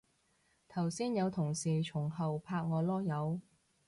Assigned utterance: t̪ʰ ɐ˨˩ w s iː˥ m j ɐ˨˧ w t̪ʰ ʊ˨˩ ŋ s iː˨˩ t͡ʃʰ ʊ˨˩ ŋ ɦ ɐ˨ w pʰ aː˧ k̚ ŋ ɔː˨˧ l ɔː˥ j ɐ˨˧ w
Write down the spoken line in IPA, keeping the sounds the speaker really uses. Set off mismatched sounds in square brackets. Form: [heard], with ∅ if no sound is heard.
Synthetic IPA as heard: t̪ʰ ɐ˨˩ w s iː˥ [n] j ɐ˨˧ w t̪ʰ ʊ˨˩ ŋ s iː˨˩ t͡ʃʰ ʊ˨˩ ŋ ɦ ɐ˨ w pʰ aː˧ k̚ ŋ ɔː˨˧ l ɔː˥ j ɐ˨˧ w